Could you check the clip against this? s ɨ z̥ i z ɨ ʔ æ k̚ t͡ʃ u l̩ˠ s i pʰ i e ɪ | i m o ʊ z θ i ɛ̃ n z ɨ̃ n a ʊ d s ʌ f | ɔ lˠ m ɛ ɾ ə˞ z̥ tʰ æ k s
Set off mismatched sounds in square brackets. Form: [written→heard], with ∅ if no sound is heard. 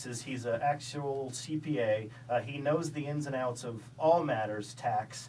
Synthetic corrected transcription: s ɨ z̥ i z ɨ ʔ æ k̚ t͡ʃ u l̩ˠ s i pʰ i e ɪ | i [m→n] o ʊ z [θ→ð] i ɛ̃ n z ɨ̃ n a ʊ [d→t] s ʌ [f→v] | ɔ lˠ m [ɛ→æ] ɾ ə˞ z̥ tʰ æ k s